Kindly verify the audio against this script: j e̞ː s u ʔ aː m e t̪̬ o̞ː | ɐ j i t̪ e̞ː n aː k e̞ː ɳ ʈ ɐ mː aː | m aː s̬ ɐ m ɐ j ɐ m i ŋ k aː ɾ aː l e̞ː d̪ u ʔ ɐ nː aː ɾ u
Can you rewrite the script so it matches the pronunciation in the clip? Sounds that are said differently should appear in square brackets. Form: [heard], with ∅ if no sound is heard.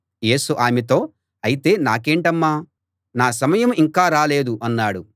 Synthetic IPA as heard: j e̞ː s u ʔ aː m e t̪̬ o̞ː | ɐ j i t̪ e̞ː n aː k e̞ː ɳ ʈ ɐ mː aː | [n] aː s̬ ɐ m ɐ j ɐ m i ŋ k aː ɾ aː l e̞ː d̪ u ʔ ɐ nː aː [ɽ] u